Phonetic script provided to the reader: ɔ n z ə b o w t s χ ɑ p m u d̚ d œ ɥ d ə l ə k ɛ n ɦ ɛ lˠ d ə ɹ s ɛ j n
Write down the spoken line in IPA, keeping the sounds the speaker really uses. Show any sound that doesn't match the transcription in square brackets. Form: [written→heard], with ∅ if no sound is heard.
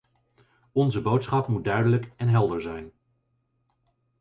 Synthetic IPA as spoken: ɔ n z ə b o w t s χ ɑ p m u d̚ d œ ɥ d ə l ə k ɛ n ɦ ɛ lˠ d ə ɹ [s→z] ɛ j n

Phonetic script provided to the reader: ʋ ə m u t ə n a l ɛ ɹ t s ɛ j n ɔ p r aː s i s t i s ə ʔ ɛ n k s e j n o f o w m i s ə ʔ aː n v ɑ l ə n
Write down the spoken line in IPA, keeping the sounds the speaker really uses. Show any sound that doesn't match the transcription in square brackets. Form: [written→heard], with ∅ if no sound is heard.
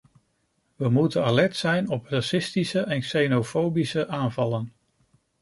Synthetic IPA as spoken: ʋ ə m u t ə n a l ɛ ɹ t s ɛ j n ɔ p r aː s [i→ɪ] s t i s ə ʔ ɛ n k s e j n o f o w [m→b] i s ə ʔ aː n v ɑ l ə n

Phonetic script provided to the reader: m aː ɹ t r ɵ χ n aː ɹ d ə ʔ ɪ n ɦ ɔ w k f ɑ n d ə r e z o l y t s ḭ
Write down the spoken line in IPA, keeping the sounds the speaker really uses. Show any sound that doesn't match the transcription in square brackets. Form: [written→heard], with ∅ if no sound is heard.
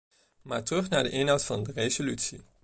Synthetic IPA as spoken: m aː ɹ t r ɵ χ n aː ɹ d ə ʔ ɪ n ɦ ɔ w [k→t] f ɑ n d ə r e z o l y t s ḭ

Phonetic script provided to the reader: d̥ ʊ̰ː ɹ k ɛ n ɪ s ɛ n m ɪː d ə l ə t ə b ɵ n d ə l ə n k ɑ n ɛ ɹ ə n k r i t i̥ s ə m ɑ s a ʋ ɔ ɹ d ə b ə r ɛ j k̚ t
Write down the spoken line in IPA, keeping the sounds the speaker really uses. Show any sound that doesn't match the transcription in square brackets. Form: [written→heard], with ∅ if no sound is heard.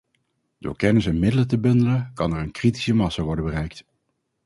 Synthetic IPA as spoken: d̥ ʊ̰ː ɹ k ɛ n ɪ s ɛ n m [ɪː→ɪ] d ə l ə t ə b ɵ n d ə l ə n k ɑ n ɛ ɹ ə n k r i t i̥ s ə m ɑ s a ʋ ɔ ɹ d ə b ə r ɛ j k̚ t

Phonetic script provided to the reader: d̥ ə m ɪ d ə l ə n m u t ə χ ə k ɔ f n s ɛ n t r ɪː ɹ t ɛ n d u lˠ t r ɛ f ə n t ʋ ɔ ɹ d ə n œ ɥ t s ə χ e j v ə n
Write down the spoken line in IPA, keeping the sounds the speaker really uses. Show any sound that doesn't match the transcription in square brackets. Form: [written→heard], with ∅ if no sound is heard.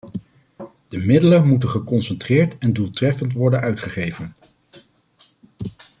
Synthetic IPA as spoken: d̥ ə m ɪ d ə l ə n m u t ə χ ə k ɔ [f→∅] n s ɛ n t r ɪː ɹ t ɛ n d u lˠ t r ɛ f ə n t ʋ ɔ ɹ d ə n œ ɥ t [s→χ] ə χ e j v ə n

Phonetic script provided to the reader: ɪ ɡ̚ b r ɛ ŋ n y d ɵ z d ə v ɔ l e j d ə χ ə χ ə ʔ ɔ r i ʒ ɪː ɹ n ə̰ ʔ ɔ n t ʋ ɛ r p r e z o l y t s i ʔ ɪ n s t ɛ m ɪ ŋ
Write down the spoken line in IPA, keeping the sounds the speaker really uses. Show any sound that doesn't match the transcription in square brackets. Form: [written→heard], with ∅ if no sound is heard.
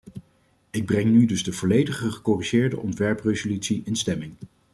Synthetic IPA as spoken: ɪ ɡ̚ b r ɛ ŋ n y d ɵ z d ə v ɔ l e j d ə χ ə χ ə [ʔ→k] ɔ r i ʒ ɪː ɹ [n→d] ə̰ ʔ ɔ n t ʋ ɛ [r→ɹ] p r e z o l y t s i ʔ ɪ n s t ɛ m ɪ ŋ

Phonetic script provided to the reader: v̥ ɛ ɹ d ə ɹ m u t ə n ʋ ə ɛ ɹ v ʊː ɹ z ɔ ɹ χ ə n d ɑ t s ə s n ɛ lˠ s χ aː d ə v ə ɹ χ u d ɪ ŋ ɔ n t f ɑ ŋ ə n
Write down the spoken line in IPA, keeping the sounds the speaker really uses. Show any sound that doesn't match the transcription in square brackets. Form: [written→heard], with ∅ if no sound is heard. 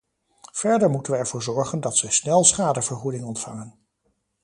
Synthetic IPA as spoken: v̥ ɛ ɹ d ə ɹ m u t ə n ʋ ə ɛ ɹ v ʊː ɹ z ɔ ɹ χ ə n d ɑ t s ə s n ɛ lˠ s χ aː d ə v ə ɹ χ u d ɪ ŋ ɔ n t f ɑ ŋ ə n

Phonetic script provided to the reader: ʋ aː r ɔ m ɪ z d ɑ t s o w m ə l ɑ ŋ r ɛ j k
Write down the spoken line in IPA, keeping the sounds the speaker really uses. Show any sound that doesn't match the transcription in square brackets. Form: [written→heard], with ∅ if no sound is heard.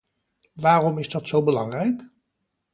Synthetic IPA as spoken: ʋ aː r ɔ m ɪ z d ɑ t s o w [m→b] ə l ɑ ŋ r ɛ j k

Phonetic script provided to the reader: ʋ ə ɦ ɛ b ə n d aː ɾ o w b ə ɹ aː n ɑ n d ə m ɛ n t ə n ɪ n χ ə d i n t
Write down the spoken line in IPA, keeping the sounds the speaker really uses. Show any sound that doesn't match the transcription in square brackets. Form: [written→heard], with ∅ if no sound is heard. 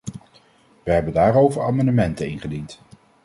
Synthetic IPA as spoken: ʋ ə ɦ ɛ b ə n d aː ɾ o w [b→v] ə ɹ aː [n→m] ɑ n d ə m ɛ n t ə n ɪ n χ ə d i n t

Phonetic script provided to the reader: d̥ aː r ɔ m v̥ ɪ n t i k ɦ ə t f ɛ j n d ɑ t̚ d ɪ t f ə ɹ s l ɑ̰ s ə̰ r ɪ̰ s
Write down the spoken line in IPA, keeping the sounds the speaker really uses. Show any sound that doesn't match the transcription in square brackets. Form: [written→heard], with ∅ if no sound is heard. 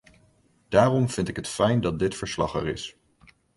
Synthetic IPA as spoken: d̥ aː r ɔ m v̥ ɪ n t [i→ɪ] k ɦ ə t f ɛ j n d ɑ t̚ d ɪ t f ə ɹ s l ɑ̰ [s→χ] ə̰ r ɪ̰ s

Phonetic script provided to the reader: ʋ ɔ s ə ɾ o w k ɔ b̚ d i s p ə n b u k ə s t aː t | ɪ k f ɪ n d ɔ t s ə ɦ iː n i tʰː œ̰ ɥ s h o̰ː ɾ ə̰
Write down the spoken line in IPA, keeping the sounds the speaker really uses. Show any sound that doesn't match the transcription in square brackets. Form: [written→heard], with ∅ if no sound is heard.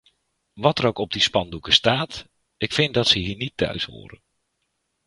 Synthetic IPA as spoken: ʋ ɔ [s→t] ə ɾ o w k ɔ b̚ d i s p [ə→ɑ] n [b→d] u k ə s t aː t | ɪ k f ɪ n d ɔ t s ə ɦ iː n i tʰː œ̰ ɥ s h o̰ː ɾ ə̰

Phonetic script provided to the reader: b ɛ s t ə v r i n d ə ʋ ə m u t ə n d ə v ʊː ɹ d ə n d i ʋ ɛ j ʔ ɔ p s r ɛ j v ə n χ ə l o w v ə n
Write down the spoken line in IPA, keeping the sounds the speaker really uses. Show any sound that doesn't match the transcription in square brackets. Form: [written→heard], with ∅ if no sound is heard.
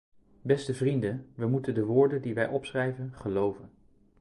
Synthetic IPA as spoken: b ɛ s t ə v r i n d ə ʋ ə m u t ə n d ə [v→ʋ] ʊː ɹ d ə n d i ʋ ɛ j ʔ ɔ p s r ɛ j v ə n χ ə l o w v ə n

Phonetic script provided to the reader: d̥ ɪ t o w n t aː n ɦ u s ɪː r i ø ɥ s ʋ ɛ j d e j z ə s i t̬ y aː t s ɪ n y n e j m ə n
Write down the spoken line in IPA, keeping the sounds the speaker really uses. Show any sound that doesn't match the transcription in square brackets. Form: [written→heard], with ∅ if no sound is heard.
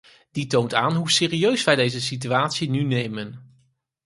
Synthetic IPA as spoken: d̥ [ɪ→i] t o w n t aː n ɦ u s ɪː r i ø ɥ s ʋ ɛ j d e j z ə s i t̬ y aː t s [ɪ→i] n y n e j m ə n

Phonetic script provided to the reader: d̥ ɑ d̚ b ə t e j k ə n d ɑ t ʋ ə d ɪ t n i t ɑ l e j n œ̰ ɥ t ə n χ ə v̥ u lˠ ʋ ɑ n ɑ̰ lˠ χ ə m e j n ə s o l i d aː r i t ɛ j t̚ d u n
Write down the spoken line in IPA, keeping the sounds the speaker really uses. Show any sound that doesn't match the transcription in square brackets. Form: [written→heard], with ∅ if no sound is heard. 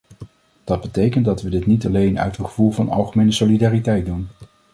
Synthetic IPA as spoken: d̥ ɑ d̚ b ə t e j k ə n d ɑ t ʋ ə d ɪ t n i t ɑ l e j n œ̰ ɥ t ə n χ ə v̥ u lˠ [ʋ→v] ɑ n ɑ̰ lˠ χ ə m e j n ə s o l i d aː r i t ɛ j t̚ d u n

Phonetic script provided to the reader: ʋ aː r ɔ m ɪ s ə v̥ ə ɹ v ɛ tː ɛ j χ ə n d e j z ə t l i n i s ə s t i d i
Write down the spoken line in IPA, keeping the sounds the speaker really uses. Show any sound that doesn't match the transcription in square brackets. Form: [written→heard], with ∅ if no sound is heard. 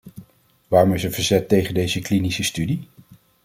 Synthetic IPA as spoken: ʋ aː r ɔ m ɪ s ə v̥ ə ɹ [v→z] ɛ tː [ɛ→e] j χ ə n d e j z ə [t→k] l i n i s ə s t [i→y] d i

